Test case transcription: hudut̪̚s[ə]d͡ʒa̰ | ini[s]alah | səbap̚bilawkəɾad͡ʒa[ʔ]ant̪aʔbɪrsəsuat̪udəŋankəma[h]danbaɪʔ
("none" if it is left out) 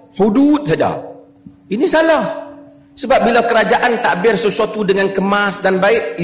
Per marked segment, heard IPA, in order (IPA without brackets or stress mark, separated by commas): a, s, ʔ, s